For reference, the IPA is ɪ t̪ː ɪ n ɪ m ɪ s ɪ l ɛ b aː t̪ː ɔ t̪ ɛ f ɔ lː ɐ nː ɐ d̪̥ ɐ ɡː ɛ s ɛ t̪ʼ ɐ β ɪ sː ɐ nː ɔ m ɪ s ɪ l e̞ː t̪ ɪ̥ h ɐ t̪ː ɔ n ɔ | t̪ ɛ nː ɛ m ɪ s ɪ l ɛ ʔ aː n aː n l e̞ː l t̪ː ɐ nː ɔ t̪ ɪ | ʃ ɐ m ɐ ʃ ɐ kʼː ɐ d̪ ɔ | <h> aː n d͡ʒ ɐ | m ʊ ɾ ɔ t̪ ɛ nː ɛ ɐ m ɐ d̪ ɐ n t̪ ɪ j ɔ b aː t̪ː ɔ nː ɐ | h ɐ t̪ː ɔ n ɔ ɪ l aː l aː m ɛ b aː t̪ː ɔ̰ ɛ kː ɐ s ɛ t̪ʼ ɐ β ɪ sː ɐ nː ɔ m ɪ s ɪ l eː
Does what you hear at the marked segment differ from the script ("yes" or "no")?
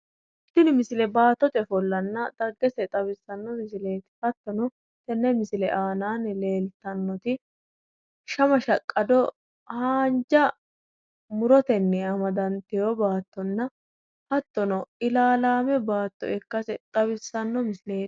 no